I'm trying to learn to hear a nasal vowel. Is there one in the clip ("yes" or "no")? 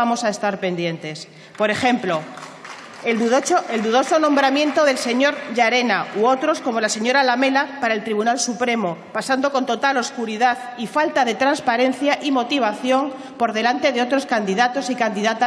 yes